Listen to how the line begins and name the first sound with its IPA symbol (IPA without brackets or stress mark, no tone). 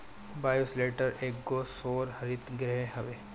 b